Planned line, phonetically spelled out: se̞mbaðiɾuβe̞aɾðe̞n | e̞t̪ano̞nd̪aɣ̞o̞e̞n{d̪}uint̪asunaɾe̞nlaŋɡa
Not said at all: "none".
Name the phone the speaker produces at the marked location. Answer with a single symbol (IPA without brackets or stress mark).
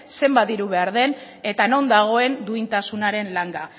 d̪